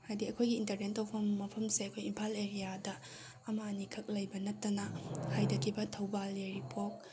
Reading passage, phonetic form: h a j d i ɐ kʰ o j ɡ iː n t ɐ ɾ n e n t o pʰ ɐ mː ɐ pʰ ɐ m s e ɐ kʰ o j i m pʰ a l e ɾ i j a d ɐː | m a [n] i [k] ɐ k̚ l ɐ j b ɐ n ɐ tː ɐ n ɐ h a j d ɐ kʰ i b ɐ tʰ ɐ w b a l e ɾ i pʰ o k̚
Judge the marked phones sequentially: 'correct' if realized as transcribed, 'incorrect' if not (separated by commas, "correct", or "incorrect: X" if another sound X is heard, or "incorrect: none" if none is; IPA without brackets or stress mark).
correct, incorrect: kʰ